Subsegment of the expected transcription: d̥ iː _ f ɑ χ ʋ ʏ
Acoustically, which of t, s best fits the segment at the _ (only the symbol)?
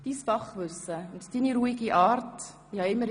s